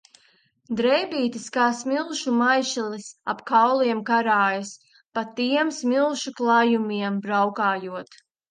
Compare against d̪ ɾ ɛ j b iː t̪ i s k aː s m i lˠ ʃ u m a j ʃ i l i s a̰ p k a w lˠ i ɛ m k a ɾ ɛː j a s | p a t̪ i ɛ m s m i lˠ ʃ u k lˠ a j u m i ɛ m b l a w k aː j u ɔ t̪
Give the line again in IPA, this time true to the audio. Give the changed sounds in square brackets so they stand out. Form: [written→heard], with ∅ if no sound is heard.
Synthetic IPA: d̪ ɾ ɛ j b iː t̪ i s k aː s m i lˠ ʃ u m a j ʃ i l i s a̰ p k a w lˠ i ɛ m k a ɾ [ɛː→aː] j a s | p a t̪ i ɛ m s m i lˠ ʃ u k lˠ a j u m i ɛ m b [l→ɾ] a w k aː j u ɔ t̪